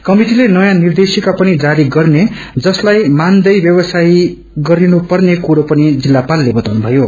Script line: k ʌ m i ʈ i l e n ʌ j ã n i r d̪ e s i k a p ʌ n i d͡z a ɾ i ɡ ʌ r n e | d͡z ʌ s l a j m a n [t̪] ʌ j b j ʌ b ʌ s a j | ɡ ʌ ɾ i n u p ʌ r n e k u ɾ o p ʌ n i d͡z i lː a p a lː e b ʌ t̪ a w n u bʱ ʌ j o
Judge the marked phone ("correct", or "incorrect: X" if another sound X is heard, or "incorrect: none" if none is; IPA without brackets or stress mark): incorrect: d̪